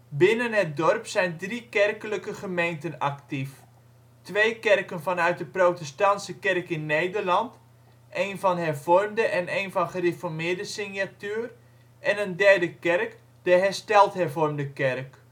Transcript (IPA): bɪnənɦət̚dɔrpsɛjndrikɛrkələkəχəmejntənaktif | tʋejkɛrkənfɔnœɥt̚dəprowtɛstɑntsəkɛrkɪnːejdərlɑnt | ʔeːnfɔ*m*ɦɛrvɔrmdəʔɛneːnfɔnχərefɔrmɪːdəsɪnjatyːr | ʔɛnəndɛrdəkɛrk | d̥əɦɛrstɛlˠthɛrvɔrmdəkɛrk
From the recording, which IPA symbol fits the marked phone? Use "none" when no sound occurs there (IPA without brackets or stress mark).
n